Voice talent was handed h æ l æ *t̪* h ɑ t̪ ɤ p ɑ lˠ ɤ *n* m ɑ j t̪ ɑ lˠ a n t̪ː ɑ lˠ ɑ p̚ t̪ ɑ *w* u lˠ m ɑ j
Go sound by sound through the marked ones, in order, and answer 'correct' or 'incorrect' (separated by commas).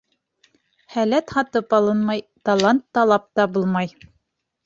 correct, correct, incorrect